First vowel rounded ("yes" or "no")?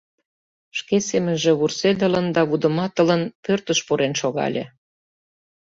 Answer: no